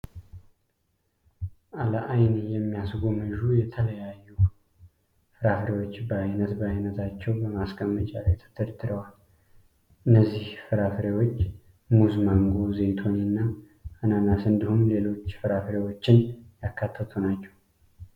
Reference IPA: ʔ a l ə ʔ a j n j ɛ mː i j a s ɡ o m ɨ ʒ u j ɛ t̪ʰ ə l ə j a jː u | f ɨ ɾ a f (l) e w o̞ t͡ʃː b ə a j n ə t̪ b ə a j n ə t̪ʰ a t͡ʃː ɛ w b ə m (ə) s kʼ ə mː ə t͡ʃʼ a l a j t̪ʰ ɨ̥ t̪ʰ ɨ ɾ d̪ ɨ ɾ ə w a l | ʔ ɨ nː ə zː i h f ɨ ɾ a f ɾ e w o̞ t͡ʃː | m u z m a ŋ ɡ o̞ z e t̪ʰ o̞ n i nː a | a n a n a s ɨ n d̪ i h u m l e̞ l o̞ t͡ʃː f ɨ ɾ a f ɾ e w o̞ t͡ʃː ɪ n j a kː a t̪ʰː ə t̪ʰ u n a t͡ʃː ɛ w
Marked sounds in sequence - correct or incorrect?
incorrect: ɾ, incorrect: a

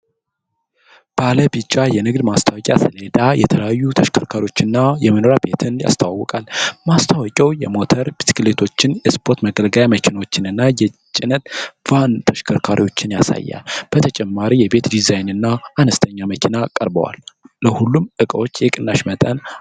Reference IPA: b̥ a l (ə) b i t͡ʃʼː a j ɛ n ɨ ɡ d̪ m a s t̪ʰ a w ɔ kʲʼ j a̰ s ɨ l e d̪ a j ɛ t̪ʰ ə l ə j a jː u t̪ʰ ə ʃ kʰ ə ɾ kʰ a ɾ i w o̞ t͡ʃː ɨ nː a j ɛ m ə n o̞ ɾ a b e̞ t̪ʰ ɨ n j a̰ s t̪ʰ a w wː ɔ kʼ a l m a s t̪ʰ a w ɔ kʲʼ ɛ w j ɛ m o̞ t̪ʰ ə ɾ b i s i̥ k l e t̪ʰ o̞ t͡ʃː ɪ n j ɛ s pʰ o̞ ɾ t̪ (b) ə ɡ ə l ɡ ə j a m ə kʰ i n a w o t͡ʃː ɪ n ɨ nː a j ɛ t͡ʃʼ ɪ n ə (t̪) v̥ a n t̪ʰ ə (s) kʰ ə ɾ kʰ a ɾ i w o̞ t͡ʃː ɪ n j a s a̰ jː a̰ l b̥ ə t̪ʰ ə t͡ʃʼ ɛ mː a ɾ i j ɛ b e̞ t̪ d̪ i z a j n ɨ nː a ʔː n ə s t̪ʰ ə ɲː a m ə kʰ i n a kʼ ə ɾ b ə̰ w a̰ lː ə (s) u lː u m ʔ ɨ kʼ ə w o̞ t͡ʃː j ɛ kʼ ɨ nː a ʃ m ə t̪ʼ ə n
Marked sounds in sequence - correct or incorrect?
correct, incorrect: m, correct, incorrect: ʃ, incorrect: h

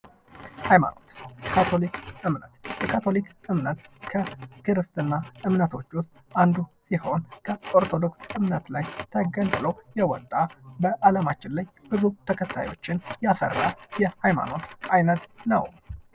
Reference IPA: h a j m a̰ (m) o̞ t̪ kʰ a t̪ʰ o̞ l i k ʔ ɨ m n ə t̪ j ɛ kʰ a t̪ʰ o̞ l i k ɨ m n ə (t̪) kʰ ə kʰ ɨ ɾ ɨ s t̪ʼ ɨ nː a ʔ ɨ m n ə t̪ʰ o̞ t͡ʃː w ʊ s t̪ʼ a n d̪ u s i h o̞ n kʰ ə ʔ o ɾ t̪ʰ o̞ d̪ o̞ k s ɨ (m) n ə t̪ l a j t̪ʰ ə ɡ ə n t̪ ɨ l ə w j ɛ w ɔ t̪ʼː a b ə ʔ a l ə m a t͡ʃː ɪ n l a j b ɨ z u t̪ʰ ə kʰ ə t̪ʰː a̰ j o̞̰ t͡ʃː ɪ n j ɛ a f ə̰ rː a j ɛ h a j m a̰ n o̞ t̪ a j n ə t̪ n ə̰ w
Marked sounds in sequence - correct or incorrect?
incorrect: n, correct, correct

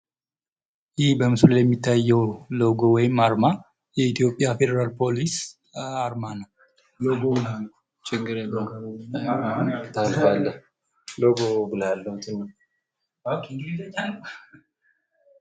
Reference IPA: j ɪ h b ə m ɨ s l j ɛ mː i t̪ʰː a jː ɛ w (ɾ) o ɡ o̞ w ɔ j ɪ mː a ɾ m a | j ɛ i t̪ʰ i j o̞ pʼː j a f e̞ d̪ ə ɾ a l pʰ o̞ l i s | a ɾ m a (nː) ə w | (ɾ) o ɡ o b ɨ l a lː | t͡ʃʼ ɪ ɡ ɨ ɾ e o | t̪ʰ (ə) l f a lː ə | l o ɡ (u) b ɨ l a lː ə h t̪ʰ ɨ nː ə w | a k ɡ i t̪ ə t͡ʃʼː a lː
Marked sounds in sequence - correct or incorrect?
incorrect: l, incorrect: n, incorrect: l, incorrect: a, incorrect: o

